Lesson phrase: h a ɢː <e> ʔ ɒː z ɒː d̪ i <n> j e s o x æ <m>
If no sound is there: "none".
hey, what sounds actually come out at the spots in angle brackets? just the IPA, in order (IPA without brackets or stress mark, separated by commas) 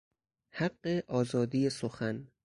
e, none, n